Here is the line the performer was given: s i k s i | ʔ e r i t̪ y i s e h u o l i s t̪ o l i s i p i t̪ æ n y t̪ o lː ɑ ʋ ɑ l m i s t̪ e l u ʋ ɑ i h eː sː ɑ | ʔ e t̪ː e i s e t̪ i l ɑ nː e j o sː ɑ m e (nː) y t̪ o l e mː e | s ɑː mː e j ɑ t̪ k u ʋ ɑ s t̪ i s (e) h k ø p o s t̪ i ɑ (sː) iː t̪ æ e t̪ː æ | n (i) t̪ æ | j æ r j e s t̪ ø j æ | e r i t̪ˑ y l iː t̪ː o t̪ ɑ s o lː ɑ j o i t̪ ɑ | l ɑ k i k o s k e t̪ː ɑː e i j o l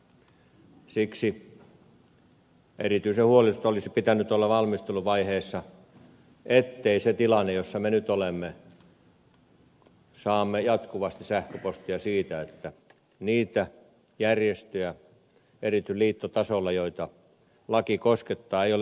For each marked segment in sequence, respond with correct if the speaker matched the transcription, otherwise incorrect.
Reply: incorrect: n, incorrect: æ, incorrect: s, incorrect: iː

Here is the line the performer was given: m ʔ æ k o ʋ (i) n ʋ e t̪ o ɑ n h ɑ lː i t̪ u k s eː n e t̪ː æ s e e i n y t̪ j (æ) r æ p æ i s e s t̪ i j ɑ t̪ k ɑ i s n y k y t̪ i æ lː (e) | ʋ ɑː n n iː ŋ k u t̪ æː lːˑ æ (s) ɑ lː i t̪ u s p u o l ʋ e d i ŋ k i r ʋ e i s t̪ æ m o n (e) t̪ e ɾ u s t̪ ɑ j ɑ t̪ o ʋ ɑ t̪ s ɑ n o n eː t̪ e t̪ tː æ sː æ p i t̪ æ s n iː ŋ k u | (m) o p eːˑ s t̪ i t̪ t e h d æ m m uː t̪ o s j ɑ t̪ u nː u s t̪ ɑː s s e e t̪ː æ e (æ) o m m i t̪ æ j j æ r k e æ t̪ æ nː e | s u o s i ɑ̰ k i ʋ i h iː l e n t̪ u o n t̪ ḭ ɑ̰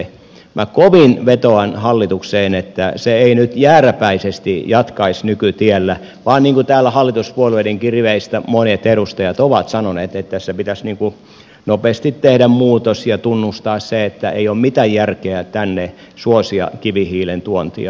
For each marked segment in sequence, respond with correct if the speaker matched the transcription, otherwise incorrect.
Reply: correct, incorrect: æː, incorrect: æ, incorrect: h, correct, incorrect: n, incorrect: i

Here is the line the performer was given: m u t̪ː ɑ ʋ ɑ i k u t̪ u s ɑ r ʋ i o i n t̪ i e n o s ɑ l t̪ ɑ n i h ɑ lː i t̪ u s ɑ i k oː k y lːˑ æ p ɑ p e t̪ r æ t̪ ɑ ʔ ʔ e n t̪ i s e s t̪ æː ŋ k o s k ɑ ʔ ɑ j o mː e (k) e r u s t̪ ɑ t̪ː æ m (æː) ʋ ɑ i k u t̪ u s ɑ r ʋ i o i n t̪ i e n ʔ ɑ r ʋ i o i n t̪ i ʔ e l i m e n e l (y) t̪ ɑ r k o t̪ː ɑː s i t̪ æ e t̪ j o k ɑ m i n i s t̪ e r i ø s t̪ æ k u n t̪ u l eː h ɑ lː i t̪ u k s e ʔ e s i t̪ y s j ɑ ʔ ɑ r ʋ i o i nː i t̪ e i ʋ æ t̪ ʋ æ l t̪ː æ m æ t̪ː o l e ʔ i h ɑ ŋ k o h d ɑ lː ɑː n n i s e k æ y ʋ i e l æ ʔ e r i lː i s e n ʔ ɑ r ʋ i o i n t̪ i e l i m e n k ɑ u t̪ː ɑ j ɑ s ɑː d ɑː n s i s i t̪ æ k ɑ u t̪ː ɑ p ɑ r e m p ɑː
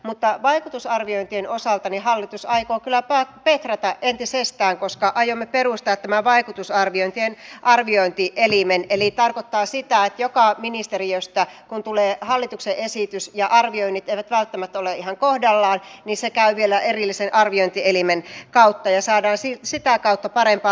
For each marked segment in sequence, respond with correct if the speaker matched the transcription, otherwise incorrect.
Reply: incorrect: p, incorrect: æ, incorrect: i

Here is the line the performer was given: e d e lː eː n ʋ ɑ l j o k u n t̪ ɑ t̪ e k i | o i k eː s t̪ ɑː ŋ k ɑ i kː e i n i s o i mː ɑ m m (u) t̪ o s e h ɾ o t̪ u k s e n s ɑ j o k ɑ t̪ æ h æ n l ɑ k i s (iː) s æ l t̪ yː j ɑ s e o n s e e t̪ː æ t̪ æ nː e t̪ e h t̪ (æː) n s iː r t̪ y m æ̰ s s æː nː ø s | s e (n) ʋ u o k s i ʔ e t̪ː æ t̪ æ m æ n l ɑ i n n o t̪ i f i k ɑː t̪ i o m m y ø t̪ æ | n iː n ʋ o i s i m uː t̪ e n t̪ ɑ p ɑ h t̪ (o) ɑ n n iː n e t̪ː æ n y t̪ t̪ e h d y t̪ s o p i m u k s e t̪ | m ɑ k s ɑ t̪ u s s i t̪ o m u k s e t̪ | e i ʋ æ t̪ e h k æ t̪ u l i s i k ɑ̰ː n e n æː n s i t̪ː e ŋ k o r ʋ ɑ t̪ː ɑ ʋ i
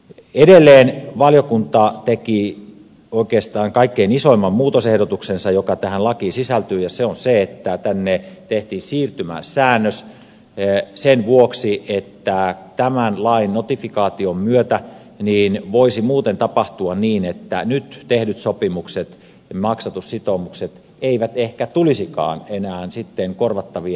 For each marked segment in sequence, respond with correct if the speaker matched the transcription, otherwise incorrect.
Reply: incorrect: uː, incorrect: i, incorrect: iː, correct, incorrect: u

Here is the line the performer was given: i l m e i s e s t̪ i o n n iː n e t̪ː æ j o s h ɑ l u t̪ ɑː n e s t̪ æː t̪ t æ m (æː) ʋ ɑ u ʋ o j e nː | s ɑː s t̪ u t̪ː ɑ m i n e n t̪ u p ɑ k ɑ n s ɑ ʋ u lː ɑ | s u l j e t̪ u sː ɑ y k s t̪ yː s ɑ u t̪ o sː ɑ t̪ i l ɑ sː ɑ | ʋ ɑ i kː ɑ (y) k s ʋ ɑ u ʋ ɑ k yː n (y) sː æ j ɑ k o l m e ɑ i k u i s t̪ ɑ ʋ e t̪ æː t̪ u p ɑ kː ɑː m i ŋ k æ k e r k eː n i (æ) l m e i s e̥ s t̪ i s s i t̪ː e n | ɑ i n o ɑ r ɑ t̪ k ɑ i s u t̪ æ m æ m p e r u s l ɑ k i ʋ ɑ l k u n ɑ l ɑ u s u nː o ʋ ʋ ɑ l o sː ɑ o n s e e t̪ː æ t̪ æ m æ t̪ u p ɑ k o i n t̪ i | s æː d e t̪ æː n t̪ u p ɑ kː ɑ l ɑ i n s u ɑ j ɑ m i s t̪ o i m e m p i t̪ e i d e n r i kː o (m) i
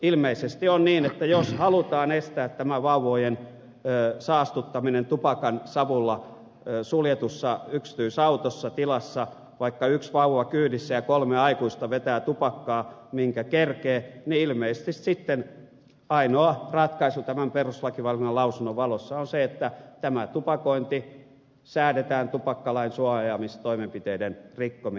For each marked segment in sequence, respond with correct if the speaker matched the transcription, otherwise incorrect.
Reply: incorrect: æ, correct, incorrect: i, incorrect: i, correct

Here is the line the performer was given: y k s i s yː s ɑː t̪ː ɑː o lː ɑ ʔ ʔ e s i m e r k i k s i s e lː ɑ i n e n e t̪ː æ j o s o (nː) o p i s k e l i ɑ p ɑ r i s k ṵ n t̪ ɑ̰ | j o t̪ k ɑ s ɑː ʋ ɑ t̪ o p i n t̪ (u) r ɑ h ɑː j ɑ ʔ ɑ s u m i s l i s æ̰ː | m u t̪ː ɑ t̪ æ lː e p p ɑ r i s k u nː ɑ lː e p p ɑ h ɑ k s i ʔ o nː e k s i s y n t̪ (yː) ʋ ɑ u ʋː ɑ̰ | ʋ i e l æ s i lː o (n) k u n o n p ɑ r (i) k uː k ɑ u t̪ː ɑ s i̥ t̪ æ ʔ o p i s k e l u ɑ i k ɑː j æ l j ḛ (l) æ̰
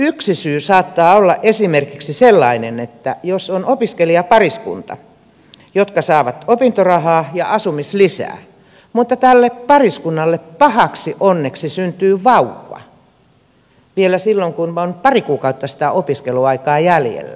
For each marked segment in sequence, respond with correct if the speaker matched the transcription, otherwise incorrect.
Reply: incorrect: n, incorrect: o, correct, incorrect: ŋ, correct, incorrect: lː

